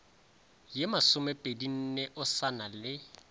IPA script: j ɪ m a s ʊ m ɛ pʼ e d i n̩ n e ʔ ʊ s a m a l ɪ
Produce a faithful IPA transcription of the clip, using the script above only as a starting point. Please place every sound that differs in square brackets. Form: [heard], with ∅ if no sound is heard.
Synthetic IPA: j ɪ m a s ʊ m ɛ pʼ e d i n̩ n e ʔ ʊ s a [n] a l ɪ